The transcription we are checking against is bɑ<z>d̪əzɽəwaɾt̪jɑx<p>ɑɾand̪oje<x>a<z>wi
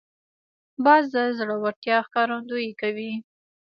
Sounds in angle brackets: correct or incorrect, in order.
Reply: correct, incorrect: k, incorrect: k, incorrect: none

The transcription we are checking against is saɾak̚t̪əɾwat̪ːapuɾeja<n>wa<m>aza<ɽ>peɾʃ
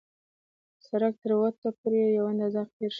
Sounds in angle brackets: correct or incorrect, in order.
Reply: incorrect: none, incorrect: n, incorrect: ɾ

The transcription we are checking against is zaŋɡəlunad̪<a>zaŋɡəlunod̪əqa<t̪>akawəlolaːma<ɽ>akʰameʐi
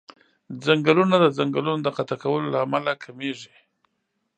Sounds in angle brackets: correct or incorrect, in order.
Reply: incorrect: ə, correct, incorrect: l

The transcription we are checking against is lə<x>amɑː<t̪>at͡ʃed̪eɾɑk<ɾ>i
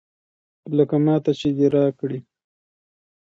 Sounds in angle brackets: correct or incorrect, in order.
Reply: incorrect: k, correct, incorrect: ɽ

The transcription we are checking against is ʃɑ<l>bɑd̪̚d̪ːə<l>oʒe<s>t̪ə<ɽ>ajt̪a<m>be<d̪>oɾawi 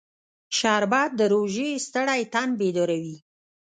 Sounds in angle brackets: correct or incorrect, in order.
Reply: incorrect: ɾ, incorrect: ɾ, correct, correct, incorrect: n, correct

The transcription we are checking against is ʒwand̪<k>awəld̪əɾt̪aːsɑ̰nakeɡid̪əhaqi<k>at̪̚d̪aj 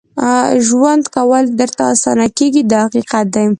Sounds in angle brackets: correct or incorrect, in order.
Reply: correct, incorrect: q

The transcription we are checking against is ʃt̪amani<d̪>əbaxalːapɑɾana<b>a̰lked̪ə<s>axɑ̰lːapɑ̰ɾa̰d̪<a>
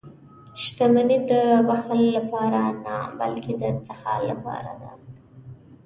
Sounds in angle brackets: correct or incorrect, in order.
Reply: correct, correct, incorrect: t͡s, correct

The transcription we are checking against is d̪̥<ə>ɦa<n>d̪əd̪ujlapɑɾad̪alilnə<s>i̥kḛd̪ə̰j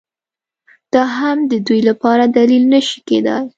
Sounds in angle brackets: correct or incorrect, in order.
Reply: incorrect: ɑ, incorrect: m, incorrect: ʃ

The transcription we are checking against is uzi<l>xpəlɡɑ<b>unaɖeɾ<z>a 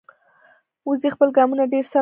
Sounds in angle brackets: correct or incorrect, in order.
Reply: incorrect: none, incorrect: m, incorrect: s

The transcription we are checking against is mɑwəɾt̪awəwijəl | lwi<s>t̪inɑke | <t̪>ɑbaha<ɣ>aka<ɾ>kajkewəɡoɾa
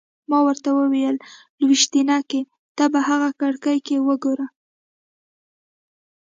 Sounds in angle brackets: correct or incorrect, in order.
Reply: incorrect: ʃ, correct, correct, incorrect: ɽ

